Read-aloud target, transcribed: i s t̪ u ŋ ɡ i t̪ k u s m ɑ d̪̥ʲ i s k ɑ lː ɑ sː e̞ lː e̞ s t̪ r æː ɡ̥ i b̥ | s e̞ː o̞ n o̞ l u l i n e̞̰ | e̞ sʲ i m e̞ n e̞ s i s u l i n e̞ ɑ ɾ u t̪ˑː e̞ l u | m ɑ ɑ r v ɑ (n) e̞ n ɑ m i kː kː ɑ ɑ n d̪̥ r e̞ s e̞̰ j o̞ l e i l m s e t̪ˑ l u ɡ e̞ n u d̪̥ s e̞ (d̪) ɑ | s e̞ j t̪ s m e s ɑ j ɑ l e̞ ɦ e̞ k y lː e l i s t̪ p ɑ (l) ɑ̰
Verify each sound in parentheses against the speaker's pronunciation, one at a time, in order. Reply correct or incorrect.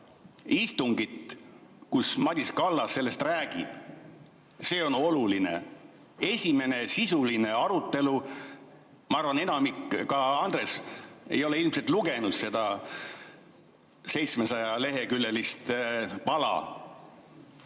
correct, correct, correct

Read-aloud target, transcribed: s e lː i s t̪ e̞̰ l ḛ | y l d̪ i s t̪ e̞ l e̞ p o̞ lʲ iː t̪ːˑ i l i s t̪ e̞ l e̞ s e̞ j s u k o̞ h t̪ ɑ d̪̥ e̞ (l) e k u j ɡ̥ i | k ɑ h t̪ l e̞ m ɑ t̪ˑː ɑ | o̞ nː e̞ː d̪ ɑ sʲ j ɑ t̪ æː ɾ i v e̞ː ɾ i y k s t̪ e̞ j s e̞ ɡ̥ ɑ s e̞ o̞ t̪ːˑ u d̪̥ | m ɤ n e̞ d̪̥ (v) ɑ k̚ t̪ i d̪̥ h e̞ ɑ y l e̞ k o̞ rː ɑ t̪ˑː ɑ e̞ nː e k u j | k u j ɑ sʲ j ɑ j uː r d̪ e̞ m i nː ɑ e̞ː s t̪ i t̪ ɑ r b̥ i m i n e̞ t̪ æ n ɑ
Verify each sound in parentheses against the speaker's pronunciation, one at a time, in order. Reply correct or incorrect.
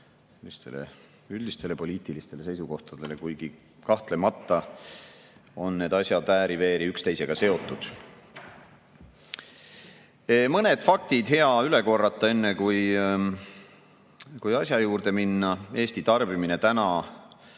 correct, incorrect

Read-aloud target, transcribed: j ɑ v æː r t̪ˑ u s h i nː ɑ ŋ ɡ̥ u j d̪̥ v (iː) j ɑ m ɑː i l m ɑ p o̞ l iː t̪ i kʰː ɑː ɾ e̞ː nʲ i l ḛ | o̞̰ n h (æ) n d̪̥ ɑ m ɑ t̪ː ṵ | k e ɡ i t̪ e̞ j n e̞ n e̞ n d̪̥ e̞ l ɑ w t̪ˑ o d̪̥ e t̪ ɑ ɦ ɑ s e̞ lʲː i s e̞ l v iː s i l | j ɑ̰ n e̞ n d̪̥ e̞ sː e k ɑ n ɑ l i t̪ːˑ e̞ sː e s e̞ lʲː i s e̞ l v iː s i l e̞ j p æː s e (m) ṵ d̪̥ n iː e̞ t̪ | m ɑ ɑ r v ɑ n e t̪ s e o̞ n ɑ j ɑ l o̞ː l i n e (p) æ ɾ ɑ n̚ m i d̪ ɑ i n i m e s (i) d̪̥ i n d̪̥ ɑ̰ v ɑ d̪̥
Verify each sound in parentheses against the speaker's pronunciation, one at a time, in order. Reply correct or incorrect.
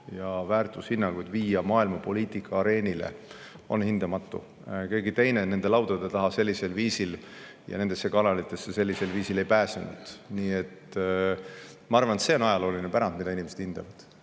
correct, incorrect, incorrect, correct, incorrect

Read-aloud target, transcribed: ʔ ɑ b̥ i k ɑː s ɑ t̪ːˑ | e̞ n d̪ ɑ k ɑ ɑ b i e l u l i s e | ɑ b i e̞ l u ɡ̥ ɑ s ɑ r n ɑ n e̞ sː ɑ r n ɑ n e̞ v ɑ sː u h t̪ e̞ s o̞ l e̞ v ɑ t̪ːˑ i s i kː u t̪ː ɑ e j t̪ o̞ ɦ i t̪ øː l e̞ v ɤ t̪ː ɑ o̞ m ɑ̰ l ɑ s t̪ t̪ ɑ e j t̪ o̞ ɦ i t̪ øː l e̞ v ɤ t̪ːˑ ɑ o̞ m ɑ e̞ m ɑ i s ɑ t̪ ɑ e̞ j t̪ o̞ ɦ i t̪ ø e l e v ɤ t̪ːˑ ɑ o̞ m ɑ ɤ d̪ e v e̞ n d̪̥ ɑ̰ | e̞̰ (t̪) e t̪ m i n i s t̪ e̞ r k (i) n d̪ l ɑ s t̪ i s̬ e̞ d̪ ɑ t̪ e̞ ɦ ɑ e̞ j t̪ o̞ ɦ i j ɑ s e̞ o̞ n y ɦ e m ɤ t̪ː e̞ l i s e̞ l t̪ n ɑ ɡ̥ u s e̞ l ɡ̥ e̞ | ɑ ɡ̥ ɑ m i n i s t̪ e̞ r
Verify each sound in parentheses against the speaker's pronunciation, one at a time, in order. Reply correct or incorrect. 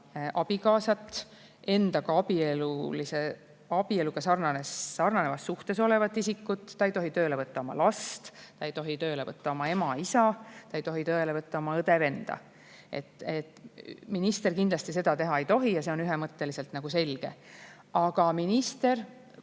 correct, correct

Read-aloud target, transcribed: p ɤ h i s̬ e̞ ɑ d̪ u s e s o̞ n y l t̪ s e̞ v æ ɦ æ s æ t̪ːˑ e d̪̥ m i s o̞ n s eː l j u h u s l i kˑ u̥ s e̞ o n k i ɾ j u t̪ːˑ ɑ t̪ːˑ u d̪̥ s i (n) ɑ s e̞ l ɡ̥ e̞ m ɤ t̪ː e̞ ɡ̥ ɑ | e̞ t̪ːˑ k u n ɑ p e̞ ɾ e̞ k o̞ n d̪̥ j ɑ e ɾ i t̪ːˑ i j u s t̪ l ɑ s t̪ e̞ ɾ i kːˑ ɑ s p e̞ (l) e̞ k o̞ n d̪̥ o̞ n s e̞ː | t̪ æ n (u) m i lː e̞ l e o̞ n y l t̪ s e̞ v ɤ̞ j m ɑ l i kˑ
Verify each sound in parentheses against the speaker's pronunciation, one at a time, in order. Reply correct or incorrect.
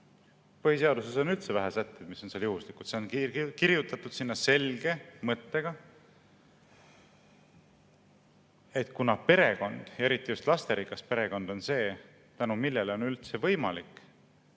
incorrect, incorrect, correct

